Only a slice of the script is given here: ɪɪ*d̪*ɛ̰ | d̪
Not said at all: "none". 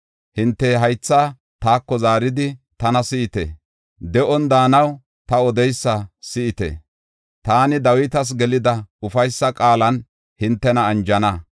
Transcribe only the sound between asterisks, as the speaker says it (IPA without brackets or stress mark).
t̪